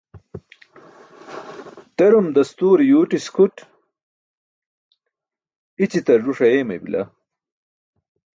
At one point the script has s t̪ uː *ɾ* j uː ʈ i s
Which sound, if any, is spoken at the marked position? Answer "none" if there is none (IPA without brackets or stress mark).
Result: ɾ